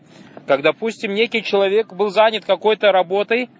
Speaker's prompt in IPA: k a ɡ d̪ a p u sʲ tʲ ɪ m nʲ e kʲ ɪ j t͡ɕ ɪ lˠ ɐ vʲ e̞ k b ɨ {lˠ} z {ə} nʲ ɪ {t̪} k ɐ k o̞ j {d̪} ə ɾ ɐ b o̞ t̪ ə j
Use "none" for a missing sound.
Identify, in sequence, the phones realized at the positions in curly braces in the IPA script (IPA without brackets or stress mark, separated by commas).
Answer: lˠ, a, t̪, t̪